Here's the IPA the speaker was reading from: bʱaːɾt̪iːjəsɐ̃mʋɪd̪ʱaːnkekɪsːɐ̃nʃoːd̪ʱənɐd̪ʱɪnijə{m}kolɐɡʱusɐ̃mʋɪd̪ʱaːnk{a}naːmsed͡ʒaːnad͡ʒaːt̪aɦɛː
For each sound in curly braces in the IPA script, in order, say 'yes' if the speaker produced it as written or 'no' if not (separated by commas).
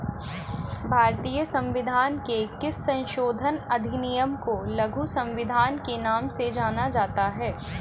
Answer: yes, no